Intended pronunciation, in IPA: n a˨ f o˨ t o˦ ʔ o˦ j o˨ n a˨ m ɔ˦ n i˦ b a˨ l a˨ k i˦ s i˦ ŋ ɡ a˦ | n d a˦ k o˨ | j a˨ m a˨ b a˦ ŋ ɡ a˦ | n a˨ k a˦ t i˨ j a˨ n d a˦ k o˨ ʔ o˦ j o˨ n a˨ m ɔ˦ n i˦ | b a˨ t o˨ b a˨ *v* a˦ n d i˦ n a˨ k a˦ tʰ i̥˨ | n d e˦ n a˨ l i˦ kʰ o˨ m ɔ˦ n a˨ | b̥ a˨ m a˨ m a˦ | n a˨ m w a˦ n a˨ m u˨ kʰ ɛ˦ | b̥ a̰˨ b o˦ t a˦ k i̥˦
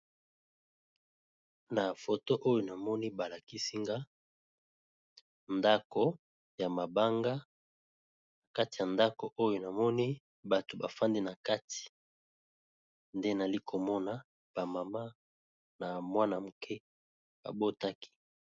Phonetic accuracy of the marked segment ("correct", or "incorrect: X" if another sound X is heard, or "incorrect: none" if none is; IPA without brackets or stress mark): incorrect: f